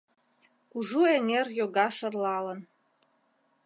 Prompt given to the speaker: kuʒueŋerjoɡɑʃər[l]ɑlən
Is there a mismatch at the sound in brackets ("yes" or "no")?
no